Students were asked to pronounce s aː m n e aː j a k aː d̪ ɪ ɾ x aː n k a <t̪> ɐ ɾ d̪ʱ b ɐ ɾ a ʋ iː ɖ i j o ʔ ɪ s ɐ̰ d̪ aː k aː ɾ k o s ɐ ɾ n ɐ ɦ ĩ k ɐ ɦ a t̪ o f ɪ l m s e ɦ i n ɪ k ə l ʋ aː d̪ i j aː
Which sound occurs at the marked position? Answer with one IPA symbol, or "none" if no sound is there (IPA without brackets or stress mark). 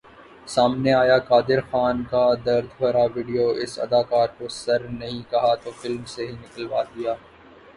d̪